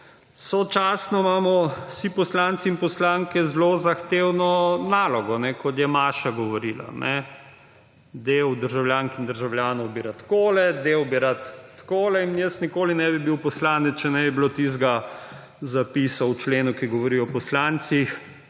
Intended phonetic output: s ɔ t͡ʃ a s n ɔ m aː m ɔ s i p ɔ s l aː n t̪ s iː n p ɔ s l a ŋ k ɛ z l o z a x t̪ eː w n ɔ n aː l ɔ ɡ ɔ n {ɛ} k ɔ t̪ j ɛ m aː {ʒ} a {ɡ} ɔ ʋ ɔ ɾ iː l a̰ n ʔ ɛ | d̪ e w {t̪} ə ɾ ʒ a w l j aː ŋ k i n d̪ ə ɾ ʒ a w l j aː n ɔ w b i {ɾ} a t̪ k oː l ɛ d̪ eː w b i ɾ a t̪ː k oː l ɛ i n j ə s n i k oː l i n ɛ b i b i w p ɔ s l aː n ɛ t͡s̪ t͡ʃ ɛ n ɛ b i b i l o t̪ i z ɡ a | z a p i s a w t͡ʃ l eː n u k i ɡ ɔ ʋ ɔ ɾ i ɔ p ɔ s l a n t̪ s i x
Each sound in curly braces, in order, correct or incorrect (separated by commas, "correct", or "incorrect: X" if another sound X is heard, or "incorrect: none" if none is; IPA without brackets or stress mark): correct, incorrect: ʃ, correct, incorrect: d̪, correct